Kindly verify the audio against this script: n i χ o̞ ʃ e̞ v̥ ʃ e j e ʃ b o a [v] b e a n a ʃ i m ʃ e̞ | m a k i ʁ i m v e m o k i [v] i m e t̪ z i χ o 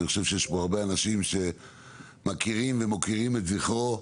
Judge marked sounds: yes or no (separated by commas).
no, no